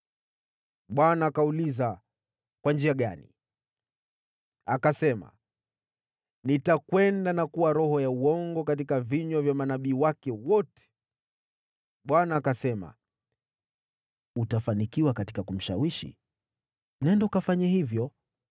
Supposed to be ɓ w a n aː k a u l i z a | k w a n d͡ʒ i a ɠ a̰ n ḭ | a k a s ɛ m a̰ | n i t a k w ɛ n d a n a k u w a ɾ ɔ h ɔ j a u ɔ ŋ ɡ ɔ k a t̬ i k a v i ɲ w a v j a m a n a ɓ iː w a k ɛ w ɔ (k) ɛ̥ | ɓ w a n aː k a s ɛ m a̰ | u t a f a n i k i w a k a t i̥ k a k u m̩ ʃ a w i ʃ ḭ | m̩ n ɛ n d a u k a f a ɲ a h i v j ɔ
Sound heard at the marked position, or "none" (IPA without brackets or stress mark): t